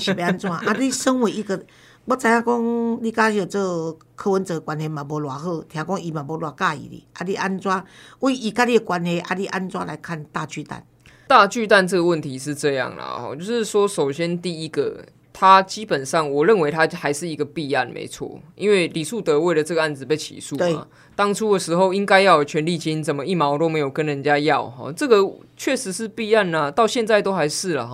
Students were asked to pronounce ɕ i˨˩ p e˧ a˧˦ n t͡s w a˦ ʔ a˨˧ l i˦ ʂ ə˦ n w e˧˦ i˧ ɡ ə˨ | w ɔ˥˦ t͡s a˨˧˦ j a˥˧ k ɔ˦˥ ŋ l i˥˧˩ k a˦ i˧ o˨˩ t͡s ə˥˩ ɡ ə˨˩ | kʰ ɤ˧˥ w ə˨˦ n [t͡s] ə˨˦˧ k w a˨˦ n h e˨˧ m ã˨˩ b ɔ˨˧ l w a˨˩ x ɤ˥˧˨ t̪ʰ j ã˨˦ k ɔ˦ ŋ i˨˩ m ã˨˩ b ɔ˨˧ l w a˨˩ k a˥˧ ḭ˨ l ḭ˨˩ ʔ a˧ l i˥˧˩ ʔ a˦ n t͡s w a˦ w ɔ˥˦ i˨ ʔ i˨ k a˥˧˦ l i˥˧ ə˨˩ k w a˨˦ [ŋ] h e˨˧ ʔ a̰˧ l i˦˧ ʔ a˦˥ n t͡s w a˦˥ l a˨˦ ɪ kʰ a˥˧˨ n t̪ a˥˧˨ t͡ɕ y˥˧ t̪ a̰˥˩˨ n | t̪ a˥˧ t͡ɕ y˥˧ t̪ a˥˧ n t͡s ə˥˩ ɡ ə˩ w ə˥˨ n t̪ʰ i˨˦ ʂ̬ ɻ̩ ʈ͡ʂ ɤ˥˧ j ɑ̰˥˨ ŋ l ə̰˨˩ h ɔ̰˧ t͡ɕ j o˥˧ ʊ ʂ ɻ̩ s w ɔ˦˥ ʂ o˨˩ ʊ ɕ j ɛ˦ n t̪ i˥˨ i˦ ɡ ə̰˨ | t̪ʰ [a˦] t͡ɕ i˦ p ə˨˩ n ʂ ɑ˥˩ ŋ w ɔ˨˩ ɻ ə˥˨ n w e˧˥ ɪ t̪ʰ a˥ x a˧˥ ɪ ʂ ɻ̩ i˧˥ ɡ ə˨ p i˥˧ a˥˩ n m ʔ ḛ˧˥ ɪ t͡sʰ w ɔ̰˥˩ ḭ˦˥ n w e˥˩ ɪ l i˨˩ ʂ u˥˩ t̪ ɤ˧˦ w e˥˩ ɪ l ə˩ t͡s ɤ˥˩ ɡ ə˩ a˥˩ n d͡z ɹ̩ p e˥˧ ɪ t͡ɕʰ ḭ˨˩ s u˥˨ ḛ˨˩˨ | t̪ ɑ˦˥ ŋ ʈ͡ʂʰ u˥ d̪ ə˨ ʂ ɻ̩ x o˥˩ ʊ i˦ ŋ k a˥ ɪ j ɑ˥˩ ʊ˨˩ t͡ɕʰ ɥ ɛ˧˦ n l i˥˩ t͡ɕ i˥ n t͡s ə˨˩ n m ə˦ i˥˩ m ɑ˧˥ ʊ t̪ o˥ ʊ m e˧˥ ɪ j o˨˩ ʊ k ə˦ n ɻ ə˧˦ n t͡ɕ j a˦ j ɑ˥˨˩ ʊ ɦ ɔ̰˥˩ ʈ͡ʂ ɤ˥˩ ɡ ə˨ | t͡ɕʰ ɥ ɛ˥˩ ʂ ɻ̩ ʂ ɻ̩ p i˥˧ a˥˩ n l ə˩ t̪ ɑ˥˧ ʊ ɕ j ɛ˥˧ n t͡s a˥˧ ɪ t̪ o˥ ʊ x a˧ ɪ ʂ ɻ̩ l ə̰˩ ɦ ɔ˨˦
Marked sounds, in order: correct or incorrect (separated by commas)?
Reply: correct, incorrect, correct